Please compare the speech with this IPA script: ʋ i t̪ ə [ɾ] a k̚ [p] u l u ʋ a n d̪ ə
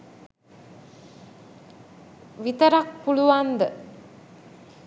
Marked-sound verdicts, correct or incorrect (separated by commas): correct, correct